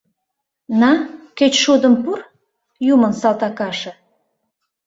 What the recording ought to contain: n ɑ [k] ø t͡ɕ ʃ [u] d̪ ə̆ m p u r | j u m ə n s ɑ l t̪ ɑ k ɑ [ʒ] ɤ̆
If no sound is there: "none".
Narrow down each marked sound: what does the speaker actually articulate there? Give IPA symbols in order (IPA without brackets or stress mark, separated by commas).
k, u, ʃ